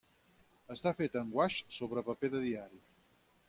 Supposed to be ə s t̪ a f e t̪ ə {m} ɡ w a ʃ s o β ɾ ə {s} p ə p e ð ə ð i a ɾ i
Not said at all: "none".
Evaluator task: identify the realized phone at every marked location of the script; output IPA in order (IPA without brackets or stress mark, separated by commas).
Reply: ŋ, none